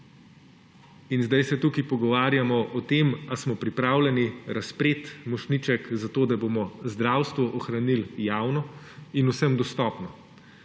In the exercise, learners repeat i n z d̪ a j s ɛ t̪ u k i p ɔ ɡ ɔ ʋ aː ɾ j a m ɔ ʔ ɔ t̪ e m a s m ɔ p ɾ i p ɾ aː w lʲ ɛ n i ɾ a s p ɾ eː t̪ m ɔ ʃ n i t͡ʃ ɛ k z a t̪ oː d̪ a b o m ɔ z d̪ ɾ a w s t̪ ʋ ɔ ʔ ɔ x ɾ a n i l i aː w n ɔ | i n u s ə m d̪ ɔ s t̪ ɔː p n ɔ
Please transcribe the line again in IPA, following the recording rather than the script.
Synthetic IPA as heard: i n z d̪ a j s ɛ t̪ u k i p ɔ ɡ ɔ ʋ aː ɾ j a m ɔ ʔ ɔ t̪ e m a s m ɔ p ɾ i p ɾ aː w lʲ ɛ n i ɾ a s p ɾ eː t̪ m ɔ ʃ n i t͡ʃ ɛ k z a t̪ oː d̪ a b o m ɔ z d̪ ɾ a w s t̪ ʋ ɔ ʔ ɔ x ɾ a n i l j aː w n ɔ | i n u s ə m d̪ ɔ s t̪ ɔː p n ɔ

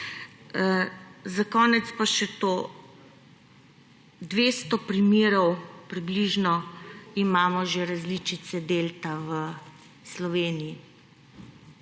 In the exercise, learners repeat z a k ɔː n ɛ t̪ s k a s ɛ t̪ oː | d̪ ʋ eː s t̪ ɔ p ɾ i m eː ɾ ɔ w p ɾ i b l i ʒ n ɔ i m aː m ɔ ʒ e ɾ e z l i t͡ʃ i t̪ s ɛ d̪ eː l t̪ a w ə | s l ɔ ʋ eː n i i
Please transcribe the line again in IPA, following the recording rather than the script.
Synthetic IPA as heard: z a k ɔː n ɛ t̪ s p a ʃ ɛ t̪ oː | d̪ ʋ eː s t̪ ɔ p ɾ i m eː ɾ ɔ w p ɾ i b l i ʒ n ɔ i m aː m ɔ ʒ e ɾ a z l i t͡ʃ i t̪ s ɛ d̪ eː l t̪ a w ə | s l ɔ ʋ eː n i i

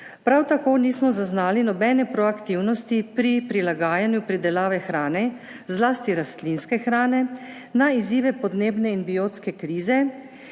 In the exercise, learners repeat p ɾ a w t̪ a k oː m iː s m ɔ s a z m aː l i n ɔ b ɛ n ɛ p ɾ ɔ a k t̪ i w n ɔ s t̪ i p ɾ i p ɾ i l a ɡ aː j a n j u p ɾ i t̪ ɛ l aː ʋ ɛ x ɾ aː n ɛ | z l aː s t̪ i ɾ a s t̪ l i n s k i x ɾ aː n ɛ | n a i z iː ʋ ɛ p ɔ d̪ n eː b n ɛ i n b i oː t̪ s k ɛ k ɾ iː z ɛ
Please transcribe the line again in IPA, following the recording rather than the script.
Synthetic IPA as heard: p ɾ a w t̪ a k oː n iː s m ɔ z a z n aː l i n ɔ b ɛ n ɛ p ɾ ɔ a k t̪ i w n ɔ s t̪ i p ɾ i p ɾ i l a ɡ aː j a n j u p ɾ i d̪ ɛ l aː ʋ ɛ x ɾ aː n ɛ | z l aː s t̪ i ɾ a s t̪ l i n s k ɛ x ɾ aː n ɛ | n a i z iː ʋ ɛ p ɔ d̪ n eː b n ɛ i n b i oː t̪ s k ɛ k ɾ iː z ɛ

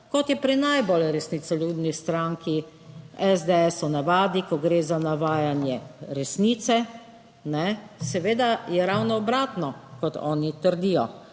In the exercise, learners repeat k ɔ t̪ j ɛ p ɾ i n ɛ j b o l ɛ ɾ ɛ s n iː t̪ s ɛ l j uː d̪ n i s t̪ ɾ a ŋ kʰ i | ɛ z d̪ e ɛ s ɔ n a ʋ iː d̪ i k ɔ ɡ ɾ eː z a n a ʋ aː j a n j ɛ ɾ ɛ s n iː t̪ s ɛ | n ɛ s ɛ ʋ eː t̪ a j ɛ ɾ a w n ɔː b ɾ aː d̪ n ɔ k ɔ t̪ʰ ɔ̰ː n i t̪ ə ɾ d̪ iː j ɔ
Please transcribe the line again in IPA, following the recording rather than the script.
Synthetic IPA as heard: k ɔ t̪ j ɛ p ɾ i n a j b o l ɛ ɾ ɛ s n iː t̪ s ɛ l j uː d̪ n i s t̪ ɾ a ŋ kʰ i | ɛ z d̪ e ɛ s ɔ n a ʋ aː d̪ i k ɔ ɡ ɾ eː z a n a ʋ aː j a n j ɛ ɾ ɛ s n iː t̪ s ɛ | n ɛ s ɛ ʋ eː d̪ a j ɛ ɾ a w n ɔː b ɾ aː t̪ n ɔ k ɔ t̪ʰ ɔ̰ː n i t̪ ə ɾ d̪ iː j ɔ

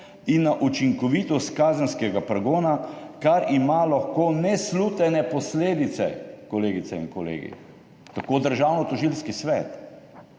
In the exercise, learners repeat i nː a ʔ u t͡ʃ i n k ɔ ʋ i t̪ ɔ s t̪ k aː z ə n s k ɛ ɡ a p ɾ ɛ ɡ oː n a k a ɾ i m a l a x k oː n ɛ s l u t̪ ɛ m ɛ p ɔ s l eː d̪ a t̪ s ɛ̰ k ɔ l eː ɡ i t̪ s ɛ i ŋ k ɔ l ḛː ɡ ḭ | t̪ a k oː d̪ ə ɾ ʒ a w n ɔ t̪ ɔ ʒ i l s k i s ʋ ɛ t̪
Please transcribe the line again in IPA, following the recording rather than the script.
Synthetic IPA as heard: i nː a ʔ u t͡ʃ i ŋ k ɔ ʋ i t̪ ɔ s t̪ k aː z ə n s k ɛ ɡ a p ɾ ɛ ɡ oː n a k a ɾ i m a l a x k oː n ɛ s l u t̪ ɛ n ɛ p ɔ s l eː d̪ i t̪ s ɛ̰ k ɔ l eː ɡ i t̪ s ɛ i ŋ k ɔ l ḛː ɡ ḭ | t̪ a k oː d̪ ə ɾ ʒ a w n ɔ t̪ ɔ ʒ i l s k i s ʋ ɛ t̪

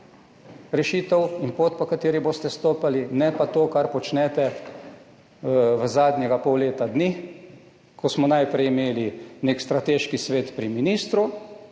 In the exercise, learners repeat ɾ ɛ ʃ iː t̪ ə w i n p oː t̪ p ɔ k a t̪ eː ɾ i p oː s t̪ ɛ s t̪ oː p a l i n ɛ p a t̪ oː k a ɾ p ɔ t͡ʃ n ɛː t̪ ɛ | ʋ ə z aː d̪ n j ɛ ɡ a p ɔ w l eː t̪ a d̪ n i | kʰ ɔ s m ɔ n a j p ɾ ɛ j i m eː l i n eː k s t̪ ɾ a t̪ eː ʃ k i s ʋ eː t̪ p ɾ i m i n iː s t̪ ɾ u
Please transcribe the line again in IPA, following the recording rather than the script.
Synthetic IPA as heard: ɾ ɛ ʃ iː t̪ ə w i n p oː t̪ p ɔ k a t̪ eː ɾ i b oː s t̪ ɛ s t̪ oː p a l i n ɛ p a t̪ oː k a ɾ p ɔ t͡ʃ n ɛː t̪ ɛ | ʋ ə z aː d̪ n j ɛ ɡ a p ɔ w l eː t̪ a d̪ n i | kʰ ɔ s m ɔ n a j p ɾ ɛ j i m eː l i n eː k s t̪ ɾ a t̪ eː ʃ k i s ʋ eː t̪ p ɾ i m i n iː s t̪ ɾ u

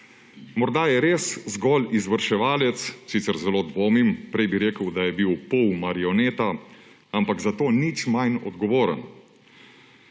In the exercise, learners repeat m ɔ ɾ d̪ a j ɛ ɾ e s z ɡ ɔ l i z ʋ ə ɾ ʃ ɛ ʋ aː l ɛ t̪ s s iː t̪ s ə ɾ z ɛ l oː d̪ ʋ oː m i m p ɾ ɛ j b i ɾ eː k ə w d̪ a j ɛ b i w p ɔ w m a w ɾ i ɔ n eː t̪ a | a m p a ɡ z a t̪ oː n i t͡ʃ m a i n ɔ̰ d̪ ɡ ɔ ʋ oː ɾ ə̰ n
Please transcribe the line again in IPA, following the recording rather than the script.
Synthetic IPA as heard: m ɔ ɾ d̪ a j ɛ ɾ e s z ɡ ɔ l i z ʋ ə ɾ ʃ ɛ ʋ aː l ɛ t̪ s s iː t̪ s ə ɾ z ɛ l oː d̪ ʋ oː m i m p ɾ ɛ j b i ɾ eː k ə w d̪ a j ɛ b i w p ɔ w m a ɾ i ɔ n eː t̪ a | a m p a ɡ z a t̪ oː n i t͡ʃ m a j n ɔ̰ d̪ ɡ ɔ ʋ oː ɾ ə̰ n

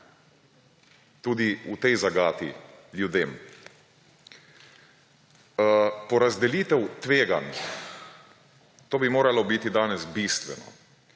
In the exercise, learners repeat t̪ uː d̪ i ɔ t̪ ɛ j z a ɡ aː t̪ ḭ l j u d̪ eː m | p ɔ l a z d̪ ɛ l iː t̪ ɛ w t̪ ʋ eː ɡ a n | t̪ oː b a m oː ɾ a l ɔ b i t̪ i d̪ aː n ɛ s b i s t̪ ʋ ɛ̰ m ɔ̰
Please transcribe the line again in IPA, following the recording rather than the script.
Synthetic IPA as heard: t̪ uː d̪ i u t̪ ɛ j z a ɡ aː t̪ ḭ l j u d̪ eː m | p ɔ ɾ a z d̪ ɛ l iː t̪ ɛ w t̪ ʋ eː ɡ a n | t̪ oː b i m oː ɾ a l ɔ b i t̪ i d̪ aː n ɛ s b i s t̪ ʋ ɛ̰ n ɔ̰

